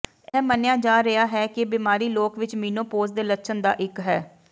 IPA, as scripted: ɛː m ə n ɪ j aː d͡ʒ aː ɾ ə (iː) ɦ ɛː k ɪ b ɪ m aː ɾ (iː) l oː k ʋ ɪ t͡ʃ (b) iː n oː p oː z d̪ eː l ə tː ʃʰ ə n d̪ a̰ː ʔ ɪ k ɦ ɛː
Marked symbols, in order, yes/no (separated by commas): no, yes, no